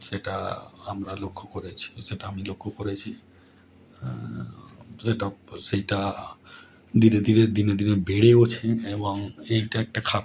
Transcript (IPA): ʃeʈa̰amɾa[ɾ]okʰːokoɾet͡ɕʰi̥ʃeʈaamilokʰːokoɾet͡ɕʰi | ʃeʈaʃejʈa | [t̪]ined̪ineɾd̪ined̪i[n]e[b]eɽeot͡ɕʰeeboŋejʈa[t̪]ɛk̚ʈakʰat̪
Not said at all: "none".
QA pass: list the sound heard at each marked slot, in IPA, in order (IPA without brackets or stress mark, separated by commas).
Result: l, d̪, n, b, none